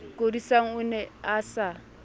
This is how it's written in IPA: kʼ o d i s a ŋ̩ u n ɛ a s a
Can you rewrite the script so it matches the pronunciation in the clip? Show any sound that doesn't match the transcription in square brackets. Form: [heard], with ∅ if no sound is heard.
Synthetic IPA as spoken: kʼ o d i s a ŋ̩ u n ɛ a s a